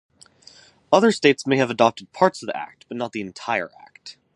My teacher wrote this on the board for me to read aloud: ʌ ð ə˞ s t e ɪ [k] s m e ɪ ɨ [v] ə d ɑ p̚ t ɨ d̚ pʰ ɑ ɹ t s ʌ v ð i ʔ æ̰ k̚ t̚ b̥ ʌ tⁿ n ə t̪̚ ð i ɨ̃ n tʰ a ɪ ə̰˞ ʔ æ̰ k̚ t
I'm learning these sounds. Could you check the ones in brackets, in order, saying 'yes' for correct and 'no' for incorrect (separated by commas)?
no, yes